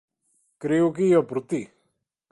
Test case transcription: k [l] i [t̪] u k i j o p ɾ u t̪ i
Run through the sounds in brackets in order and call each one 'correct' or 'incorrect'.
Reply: incorrect, incorrect

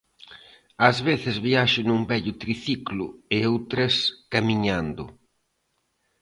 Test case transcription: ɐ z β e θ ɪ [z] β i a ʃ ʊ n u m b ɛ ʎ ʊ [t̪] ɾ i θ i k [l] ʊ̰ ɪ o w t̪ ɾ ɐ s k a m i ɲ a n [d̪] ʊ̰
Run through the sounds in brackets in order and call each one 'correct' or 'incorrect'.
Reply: correct, correct, correct, correct

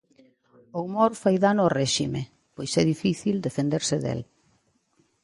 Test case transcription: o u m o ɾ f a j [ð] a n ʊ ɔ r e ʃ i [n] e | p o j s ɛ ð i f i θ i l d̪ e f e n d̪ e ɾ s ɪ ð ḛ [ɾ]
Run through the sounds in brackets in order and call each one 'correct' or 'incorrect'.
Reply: correct, incorrect, incorrect

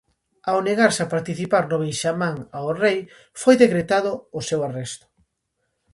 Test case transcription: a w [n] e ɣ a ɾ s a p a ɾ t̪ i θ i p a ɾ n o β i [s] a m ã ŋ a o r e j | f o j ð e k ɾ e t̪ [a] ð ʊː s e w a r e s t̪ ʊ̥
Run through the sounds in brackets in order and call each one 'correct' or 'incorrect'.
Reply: correct, incorrect, correct

